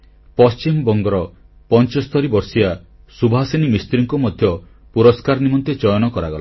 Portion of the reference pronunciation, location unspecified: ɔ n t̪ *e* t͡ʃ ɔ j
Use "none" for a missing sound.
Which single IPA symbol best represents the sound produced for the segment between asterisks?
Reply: e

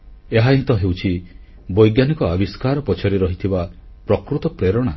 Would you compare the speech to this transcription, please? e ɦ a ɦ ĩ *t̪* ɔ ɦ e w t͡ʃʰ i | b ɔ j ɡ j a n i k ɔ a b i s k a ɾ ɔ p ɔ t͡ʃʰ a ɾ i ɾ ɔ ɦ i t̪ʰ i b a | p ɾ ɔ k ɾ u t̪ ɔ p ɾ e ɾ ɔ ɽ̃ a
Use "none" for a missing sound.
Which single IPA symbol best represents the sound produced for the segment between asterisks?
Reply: t̪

